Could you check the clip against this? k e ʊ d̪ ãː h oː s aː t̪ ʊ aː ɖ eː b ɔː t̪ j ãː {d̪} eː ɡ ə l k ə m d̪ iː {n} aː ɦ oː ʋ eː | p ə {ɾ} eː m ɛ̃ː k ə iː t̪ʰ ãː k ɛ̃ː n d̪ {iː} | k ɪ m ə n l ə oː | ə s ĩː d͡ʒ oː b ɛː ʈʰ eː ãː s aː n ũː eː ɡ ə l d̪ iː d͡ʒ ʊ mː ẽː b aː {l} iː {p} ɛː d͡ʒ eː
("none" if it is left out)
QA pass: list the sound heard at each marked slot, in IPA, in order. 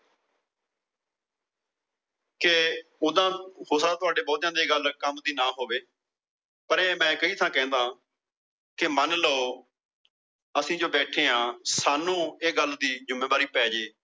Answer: d̪, n, ɾ, aː, ɾ, p

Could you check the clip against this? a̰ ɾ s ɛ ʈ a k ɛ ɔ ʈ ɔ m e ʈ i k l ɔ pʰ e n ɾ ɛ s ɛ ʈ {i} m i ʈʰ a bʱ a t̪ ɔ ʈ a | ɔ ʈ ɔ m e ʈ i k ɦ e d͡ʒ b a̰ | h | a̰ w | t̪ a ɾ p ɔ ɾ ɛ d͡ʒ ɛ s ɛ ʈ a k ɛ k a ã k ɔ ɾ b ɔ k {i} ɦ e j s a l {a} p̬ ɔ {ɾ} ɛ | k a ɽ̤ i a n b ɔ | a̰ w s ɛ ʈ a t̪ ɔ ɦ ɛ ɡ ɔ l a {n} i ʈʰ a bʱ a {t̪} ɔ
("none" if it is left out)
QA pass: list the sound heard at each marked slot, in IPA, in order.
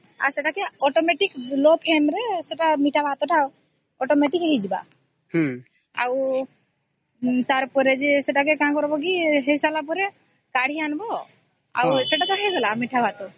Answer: a, i, a, ɾ, m, t̪

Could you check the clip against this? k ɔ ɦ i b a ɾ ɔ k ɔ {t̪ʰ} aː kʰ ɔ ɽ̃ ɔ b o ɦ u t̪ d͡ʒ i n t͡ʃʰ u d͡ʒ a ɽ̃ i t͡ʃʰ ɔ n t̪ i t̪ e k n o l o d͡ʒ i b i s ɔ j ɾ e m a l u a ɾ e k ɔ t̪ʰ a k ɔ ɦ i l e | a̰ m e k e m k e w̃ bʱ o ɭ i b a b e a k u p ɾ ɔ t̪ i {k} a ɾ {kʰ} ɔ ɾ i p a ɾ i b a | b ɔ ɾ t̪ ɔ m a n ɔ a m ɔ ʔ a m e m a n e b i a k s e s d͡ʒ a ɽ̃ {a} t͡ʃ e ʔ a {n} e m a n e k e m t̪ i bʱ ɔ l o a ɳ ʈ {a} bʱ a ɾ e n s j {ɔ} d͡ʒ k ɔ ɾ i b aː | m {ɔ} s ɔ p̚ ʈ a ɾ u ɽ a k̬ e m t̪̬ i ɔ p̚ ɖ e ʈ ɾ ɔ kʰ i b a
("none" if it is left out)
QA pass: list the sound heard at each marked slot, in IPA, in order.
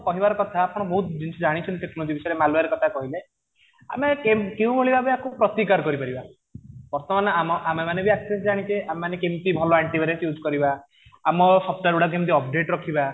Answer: t̪ʰ, k, k, i, m, i, u, ɔ

